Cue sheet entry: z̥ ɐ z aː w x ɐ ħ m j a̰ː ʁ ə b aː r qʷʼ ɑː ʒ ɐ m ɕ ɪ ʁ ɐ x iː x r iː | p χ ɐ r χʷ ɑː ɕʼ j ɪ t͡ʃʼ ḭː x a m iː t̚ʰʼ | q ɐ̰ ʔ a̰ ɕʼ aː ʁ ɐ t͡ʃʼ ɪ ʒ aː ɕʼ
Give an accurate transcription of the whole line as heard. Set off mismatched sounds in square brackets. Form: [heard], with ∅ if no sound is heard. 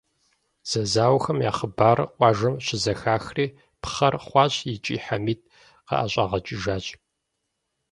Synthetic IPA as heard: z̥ ɐ z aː w x ɐ [∅] m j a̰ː [χ] ə b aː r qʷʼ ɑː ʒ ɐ m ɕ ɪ [z] ɐ x [aː] x r iː | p χ ɐ r χʷ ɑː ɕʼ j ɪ t͡ʃʼ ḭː [ħ] a m iː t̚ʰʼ | q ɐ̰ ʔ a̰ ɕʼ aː ʁ ɐ t͡ʃʼ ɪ ʒ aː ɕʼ